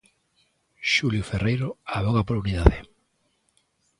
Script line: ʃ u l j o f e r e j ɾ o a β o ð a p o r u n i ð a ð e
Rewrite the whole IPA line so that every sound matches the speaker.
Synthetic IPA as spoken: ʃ u l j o f e r e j ɾ o a β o ɣ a p o ɾ u n i ð a ð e